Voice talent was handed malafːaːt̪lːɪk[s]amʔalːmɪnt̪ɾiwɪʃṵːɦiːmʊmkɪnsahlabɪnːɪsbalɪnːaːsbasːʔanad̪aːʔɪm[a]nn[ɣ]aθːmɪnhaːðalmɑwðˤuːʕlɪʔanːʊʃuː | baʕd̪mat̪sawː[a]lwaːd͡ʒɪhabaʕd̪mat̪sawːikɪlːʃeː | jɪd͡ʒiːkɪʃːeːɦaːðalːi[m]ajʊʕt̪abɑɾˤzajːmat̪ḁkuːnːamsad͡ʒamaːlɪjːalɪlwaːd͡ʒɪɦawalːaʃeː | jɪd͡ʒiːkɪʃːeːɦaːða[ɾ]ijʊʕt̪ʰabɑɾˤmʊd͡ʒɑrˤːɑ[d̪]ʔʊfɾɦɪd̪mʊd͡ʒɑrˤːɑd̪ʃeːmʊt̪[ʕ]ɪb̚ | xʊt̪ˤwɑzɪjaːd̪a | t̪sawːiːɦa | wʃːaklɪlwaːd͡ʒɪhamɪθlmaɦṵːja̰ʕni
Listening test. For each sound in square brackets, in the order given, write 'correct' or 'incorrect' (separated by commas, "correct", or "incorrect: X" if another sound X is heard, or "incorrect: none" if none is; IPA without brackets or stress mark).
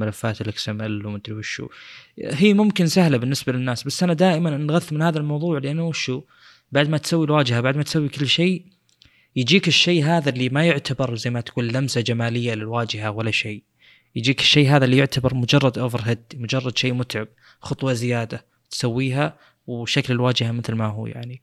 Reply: correct, correct, correct, incorrect: i, correct, incorrect: l, correct, correct